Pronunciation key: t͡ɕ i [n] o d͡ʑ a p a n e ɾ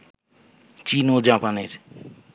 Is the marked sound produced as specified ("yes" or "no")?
yes